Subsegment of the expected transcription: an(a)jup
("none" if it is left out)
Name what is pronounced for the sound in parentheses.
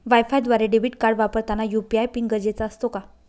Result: a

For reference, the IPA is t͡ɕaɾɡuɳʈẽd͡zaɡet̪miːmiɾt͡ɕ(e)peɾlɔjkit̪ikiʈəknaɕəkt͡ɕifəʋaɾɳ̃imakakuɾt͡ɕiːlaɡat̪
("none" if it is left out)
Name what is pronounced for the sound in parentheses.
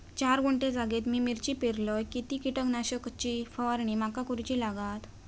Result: i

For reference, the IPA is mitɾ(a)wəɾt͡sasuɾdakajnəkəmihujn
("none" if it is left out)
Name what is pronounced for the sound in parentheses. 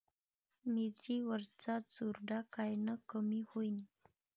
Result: i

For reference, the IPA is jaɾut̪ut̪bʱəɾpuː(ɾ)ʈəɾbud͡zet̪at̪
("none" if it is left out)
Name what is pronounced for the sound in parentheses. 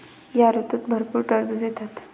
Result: ɾ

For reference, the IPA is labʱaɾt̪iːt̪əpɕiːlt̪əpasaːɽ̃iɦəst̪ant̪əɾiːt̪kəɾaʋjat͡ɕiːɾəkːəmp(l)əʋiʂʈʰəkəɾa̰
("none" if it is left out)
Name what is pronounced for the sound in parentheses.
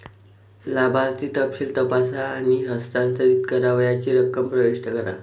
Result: ɾ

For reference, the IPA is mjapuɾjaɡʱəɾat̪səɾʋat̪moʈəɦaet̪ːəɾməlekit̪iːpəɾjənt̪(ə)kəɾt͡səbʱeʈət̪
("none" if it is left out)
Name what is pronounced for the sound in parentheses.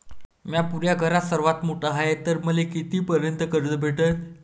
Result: ə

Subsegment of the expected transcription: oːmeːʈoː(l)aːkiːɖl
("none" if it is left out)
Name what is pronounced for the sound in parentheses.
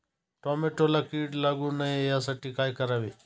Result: l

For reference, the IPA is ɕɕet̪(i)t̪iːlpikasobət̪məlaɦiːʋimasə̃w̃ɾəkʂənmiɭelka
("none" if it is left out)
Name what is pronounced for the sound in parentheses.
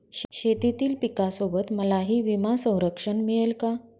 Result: i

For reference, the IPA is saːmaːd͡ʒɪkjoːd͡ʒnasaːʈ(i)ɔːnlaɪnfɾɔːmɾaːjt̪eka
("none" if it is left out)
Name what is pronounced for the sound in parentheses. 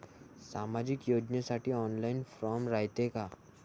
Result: i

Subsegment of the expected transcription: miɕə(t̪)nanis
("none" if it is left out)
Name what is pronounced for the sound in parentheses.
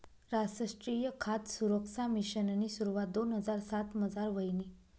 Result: none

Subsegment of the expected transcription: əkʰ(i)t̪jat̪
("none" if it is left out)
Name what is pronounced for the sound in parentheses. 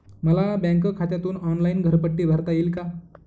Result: a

